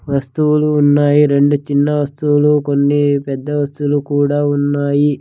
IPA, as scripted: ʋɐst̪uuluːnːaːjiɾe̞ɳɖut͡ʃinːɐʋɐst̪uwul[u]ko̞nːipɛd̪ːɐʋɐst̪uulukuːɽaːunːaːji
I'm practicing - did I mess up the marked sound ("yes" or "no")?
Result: no